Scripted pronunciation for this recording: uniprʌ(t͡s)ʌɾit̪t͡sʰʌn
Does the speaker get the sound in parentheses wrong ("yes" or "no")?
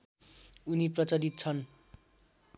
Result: no